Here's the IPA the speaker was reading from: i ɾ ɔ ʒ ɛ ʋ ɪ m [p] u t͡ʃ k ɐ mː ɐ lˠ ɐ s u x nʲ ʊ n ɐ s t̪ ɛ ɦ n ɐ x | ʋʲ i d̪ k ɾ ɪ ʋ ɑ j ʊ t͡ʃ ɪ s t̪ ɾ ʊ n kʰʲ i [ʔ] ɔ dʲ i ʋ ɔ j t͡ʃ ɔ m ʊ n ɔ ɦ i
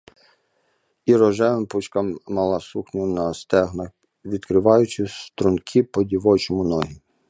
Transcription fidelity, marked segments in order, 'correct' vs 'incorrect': correct, incorrect: p

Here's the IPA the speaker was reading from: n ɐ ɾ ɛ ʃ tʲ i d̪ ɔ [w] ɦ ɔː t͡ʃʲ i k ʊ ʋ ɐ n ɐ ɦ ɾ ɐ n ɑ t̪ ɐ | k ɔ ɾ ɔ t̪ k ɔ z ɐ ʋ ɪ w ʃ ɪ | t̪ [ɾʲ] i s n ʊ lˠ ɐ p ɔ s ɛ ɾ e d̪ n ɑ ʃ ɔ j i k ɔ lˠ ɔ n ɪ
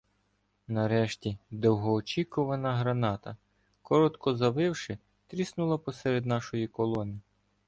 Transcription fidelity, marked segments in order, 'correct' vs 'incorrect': correct, correct

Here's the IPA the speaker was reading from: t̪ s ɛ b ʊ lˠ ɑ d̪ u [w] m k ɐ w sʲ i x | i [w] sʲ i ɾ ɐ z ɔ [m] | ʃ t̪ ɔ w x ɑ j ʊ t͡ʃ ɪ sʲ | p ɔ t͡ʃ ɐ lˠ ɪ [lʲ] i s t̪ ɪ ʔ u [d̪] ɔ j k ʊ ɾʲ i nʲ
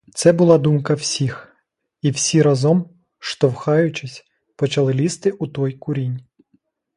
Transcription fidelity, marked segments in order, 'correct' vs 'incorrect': incorrect: none, correct, correct, correct, incorrect: t̪

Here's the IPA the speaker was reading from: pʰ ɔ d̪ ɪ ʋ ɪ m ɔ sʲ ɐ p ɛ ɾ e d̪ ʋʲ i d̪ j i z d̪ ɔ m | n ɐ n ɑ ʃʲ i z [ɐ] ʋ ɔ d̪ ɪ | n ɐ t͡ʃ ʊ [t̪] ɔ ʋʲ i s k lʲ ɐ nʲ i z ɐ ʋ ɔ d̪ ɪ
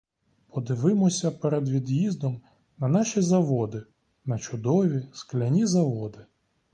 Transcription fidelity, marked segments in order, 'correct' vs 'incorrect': correct, incorrect: d̪

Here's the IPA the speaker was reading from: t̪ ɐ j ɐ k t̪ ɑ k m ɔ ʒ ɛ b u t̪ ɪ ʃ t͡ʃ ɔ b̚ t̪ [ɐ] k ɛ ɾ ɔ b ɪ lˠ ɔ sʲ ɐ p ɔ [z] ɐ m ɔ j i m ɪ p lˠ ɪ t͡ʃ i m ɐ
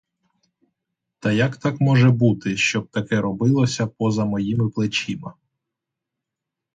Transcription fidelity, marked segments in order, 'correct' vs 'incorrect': correct, correct

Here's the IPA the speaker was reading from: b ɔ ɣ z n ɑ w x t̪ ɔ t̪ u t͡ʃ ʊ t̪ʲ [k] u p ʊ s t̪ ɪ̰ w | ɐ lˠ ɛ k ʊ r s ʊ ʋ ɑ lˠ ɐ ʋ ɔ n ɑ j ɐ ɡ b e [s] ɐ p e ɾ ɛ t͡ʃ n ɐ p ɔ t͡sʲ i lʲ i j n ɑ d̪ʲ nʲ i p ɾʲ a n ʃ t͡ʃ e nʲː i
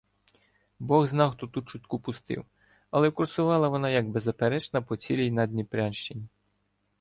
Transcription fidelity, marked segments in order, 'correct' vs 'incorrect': correct, incorrect: z

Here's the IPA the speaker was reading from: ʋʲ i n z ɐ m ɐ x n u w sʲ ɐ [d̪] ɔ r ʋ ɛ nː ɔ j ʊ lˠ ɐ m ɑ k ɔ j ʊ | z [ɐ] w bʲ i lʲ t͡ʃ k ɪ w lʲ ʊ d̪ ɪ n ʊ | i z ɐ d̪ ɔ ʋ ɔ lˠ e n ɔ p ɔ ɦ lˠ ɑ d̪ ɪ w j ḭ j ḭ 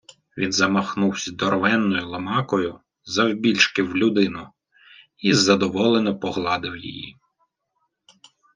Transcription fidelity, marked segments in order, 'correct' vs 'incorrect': correct, correct

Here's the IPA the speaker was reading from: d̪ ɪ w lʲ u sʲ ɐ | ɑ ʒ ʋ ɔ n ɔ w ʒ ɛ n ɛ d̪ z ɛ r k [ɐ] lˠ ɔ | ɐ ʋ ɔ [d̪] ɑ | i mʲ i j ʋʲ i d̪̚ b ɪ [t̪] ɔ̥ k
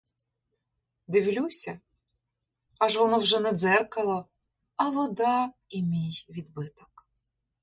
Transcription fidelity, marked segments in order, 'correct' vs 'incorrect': correct, correct, correct

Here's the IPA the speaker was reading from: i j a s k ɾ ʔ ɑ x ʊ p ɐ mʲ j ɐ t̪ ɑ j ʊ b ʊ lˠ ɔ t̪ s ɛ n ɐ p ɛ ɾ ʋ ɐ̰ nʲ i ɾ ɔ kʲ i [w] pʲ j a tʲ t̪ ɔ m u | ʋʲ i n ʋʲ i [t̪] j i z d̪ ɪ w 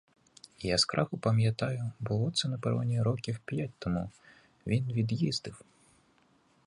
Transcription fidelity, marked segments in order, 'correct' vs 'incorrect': correct, incorrect: d̪

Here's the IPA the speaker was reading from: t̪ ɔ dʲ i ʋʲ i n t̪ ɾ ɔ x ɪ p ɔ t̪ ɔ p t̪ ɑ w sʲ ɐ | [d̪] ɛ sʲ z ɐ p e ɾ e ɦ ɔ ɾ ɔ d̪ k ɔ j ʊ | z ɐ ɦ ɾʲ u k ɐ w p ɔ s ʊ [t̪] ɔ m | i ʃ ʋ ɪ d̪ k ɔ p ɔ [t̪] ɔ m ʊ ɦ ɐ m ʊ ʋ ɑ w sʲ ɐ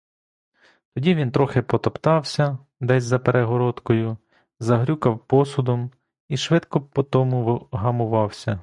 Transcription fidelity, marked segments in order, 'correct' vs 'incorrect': correct, incorrect: d̪, correct

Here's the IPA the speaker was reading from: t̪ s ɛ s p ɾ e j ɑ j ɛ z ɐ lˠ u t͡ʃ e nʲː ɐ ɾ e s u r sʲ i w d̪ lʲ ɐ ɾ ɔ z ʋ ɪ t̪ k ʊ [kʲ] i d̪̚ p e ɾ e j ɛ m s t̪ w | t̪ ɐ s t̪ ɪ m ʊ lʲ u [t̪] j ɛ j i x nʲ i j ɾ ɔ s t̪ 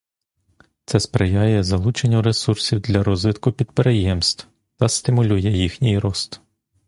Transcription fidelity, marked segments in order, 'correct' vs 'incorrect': incorrect: pʲ, incorrect: none

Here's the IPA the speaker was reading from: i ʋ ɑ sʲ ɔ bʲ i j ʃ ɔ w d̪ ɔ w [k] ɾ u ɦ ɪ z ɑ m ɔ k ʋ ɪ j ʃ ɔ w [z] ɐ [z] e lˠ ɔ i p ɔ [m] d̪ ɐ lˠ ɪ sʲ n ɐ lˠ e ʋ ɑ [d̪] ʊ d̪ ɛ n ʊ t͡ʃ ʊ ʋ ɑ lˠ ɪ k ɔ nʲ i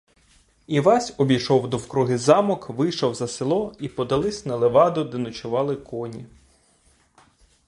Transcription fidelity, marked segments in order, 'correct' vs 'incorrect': correct, correct, incorrect: s, incorrect: none, correct

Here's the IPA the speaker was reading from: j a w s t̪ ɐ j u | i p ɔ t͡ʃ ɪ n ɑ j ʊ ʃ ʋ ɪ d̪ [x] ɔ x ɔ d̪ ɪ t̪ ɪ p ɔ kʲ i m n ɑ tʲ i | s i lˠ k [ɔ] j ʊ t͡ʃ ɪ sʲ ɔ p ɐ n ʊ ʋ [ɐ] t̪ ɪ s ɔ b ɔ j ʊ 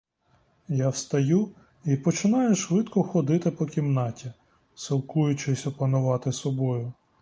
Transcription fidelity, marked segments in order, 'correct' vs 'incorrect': incorrect: k, incorrect: u, incorrect: ɑ

